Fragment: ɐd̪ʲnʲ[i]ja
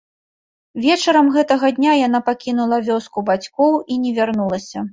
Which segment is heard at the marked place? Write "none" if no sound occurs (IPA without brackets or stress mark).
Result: a